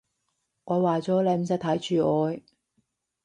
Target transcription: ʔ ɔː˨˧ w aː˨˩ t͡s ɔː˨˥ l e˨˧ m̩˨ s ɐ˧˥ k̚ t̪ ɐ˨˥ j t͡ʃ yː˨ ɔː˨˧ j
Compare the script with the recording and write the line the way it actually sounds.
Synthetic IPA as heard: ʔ ɔː˨˧ w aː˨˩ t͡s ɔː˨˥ l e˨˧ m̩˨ s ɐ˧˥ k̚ t̪ʰ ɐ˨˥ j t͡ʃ yː˨ ɔː˨˧ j